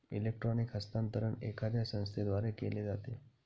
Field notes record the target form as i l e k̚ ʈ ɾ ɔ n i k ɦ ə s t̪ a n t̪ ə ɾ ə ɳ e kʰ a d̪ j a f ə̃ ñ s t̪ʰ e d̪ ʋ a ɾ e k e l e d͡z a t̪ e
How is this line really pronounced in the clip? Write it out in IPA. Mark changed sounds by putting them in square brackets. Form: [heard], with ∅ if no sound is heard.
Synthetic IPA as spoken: i l e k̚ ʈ ɾ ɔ n i k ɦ ə s t̪ a n t̪ ə ɾ ə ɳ e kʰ a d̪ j a [s] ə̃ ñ s t̪ʰ e d̪ ʋ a ɾ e k e l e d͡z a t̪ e